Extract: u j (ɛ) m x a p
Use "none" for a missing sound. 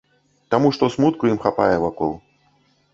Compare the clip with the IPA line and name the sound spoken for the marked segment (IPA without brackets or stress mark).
i